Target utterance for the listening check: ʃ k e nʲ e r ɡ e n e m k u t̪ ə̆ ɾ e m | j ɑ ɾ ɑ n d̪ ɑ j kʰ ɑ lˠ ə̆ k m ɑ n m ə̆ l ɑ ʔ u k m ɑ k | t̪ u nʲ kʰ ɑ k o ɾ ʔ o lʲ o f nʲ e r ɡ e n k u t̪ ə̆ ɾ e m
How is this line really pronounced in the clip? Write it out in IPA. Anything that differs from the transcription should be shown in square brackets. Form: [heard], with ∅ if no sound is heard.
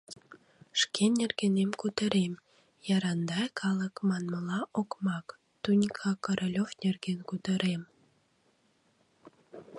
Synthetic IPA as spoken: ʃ k e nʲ e r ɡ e n e m k u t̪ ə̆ ɾ e m | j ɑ ɾ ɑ n d̪ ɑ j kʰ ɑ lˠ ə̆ k m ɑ n m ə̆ l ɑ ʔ [o] k m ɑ k | t̪ u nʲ kʰ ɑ k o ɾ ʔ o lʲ o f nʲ e r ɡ e n k u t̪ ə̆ ɾ e m